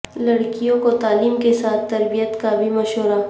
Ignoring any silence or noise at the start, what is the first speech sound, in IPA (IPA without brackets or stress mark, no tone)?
l